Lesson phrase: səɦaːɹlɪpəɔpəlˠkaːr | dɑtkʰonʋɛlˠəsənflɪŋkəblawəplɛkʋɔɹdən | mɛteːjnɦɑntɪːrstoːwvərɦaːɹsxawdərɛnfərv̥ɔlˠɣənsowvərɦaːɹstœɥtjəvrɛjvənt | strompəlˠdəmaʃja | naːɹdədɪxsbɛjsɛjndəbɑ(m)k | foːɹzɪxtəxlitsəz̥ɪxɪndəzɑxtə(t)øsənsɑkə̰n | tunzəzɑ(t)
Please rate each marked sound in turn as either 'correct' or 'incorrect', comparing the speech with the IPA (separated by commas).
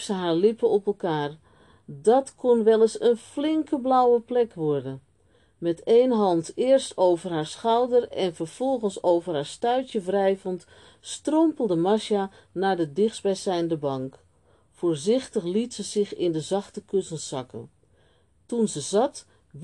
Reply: incorrect, incorrect, correct